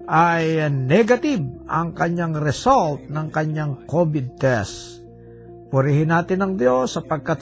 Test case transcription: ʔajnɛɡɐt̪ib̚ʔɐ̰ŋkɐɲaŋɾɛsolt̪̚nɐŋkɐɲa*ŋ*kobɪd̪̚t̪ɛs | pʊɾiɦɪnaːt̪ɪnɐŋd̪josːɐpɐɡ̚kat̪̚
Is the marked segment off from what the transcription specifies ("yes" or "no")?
no